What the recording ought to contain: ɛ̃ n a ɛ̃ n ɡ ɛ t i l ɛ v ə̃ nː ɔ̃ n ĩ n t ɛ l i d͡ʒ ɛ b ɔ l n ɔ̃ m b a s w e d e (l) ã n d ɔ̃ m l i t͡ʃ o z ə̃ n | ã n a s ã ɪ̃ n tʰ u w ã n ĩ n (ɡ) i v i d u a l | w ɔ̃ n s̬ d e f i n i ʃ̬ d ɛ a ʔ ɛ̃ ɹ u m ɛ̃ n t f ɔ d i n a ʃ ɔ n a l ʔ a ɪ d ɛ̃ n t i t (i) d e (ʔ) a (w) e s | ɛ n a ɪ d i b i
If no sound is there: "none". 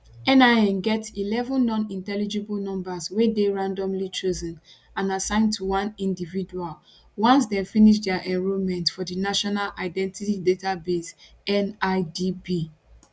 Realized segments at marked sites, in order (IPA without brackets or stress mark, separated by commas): ɹ, d, i, t, b